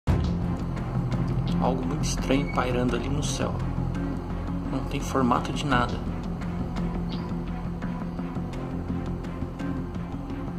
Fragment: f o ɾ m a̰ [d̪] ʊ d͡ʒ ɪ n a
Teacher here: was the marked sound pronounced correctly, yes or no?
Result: no